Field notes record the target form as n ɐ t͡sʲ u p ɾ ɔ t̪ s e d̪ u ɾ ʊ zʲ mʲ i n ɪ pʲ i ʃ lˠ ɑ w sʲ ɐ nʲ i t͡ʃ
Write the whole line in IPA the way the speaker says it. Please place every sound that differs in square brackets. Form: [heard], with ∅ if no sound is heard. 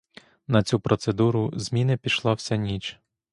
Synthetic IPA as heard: n ɐ t͡sʲ u p ɾ ɔ t̪ s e d̪ u ɾ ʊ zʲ mʲ i n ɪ pʲ i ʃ lˠ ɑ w sʲ ɐ nʲ i t͡ʃ